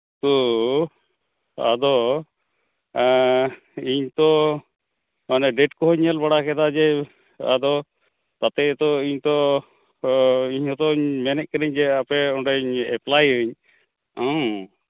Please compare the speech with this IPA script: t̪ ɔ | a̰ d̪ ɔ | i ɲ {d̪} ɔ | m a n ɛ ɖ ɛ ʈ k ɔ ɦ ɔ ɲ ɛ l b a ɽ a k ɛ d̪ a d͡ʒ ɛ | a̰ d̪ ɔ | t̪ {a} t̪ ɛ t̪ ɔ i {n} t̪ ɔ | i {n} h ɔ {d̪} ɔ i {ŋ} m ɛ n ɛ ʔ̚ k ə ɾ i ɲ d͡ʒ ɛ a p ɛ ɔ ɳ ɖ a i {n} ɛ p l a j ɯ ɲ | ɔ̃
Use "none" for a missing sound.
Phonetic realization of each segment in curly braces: t̪, a, ɲ, ɲ, t̪, ɲ, ɲ

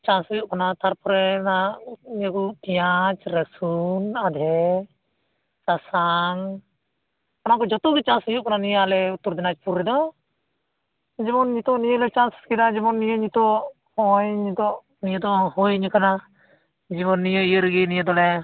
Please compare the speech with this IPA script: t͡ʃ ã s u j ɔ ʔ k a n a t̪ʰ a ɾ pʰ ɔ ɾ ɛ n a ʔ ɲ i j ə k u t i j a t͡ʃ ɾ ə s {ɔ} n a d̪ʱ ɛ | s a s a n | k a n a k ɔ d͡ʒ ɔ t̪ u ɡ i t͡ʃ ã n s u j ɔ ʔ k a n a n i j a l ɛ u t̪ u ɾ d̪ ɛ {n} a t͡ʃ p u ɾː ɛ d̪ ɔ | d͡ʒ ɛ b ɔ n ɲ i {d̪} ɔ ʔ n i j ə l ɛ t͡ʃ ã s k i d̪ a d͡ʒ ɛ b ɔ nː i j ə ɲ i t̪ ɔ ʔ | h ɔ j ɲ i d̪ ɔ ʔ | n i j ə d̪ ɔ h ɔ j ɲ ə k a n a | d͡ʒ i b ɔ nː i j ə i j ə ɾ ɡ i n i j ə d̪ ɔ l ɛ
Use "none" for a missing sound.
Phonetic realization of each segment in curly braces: u, n, t̪

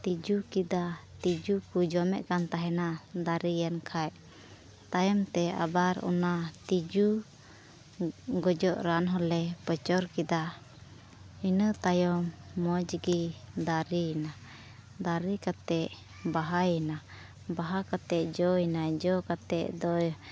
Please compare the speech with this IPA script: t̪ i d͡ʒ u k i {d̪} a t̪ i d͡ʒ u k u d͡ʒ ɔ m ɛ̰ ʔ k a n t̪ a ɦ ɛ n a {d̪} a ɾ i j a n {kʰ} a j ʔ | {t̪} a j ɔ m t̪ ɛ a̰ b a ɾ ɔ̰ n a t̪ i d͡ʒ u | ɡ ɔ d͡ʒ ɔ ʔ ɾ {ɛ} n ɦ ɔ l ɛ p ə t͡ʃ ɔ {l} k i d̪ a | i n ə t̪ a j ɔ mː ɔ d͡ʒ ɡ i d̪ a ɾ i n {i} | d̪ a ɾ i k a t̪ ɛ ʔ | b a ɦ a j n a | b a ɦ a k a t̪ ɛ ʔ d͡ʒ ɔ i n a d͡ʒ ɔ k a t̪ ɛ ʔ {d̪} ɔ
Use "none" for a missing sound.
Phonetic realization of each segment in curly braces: d̪, d̪, kʰ, t̪, a, ɾ, a, d̪

